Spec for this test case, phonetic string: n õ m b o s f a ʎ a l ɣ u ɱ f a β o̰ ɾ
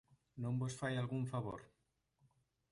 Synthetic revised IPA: n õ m b o s f a j a l ɣ u ɱ f a β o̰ ɾ